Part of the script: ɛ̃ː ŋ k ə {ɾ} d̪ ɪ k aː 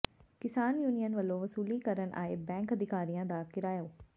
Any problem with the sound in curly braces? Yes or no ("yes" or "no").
yes